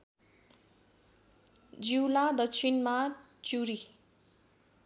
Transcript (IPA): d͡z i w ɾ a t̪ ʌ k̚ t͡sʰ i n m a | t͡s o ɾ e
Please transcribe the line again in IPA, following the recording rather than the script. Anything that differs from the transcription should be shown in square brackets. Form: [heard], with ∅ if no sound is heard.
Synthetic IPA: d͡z i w [l] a [d̪] ʌ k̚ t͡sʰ i n m a | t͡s [u] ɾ [i]